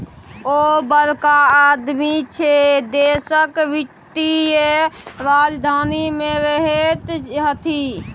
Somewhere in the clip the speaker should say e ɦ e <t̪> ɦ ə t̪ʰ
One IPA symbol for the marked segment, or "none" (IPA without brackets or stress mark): t̪